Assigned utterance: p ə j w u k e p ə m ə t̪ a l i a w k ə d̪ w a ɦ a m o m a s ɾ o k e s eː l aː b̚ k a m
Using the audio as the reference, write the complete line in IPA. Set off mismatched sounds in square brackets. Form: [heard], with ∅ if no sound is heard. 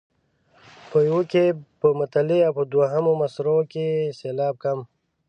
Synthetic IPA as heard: p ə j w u k e p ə m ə t̪ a l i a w [p] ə d̪ w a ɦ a m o m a s ɾ o k e s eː l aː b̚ k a m